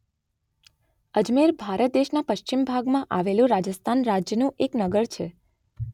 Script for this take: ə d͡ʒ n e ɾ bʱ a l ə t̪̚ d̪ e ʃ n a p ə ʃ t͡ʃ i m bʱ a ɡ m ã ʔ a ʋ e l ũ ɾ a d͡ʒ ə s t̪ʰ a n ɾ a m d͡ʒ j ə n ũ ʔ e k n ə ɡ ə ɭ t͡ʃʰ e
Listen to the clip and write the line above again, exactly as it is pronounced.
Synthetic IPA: ə d͡ʒ m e ɾ bʱ a ɾ ə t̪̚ d̪ e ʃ n a p ə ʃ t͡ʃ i m bʱ a ɡ m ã ʔ a ʋ e l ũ ɾ a d͡ʒ ə s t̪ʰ a n ɾ a d͡ʒ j ə n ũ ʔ e k n ə ɡ ə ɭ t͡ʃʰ e

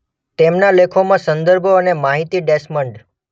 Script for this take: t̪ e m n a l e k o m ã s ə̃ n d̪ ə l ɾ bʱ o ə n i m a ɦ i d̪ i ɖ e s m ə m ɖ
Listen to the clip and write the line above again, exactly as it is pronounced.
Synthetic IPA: t̪ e m n a l e kʰ o m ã s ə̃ n d̪ ə ɾ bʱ o ə n e m a ɦ i t̪ i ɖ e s m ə ɳ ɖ

